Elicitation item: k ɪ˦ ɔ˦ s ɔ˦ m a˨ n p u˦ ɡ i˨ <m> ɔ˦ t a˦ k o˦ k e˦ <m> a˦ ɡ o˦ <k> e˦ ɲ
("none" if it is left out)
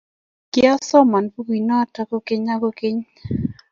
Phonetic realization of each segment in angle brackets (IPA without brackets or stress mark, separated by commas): n, ɲ, k